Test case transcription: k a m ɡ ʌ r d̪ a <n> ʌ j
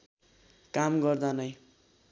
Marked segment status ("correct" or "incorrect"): correct